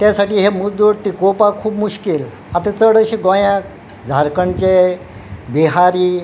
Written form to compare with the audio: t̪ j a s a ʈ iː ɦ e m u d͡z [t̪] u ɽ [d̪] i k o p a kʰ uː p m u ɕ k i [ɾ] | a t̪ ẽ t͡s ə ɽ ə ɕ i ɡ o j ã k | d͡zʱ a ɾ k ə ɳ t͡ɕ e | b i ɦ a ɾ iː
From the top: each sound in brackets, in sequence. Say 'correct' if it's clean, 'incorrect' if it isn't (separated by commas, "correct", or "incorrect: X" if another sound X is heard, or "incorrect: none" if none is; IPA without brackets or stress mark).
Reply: incorrect: d̪, incorrect: t̪, incorrect: l